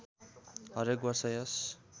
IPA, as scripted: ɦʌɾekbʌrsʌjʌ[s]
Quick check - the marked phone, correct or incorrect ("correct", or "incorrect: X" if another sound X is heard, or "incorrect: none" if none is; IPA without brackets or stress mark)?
correct